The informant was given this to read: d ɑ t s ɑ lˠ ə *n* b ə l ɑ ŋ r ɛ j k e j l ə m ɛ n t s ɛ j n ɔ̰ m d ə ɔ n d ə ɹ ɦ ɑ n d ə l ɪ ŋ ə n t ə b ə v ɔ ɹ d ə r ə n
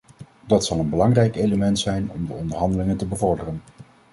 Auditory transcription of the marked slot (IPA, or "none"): n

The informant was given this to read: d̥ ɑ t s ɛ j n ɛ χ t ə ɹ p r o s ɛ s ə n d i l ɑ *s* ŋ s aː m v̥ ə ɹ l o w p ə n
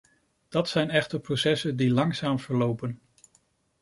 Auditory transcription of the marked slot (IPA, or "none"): none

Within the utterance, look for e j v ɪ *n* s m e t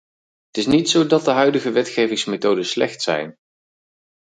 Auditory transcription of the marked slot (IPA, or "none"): ŋ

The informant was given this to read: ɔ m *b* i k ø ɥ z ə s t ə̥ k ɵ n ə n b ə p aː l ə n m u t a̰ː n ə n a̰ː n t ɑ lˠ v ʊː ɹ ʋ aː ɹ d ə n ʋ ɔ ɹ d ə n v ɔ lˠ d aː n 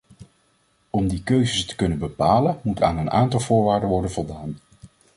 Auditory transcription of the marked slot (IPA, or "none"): d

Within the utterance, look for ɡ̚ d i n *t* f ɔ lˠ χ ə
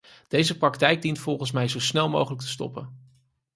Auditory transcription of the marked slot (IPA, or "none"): t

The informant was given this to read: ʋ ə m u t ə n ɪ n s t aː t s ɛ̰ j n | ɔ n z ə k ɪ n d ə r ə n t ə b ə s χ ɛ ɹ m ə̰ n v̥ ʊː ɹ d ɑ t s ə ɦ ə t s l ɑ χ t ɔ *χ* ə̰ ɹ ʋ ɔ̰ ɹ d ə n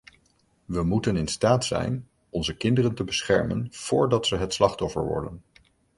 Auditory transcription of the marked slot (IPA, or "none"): f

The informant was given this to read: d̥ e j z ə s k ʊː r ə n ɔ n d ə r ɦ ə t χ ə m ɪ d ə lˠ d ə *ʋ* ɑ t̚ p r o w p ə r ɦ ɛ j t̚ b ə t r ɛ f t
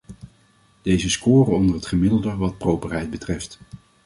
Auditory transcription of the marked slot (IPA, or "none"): ʋ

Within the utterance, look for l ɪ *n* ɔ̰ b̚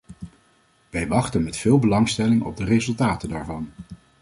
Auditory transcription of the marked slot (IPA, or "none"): ŋ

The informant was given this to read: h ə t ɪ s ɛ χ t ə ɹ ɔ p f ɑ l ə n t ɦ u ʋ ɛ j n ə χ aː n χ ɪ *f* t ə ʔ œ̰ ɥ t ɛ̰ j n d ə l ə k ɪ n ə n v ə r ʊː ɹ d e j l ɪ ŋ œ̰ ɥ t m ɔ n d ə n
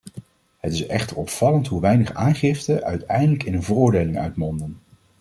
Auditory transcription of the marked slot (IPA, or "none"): f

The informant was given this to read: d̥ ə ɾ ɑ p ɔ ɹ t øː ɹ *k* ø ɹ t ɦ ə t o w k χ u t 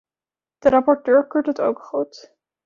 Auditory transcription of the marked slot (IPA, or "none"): k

